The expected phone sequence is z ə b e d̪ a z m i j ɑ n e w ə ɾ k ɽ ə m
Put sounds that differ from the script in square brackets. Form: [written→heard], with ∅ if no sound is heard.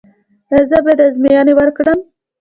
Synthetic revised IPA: z ə b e d̪ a z m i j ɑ n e w ə ɾ k ɽ ə m